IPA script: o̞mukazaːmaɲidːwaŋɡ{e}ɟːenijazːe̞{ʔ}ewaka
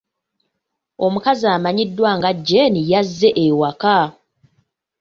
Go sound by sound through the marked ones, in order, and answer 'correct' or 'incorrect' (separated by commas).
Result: incorrect, correct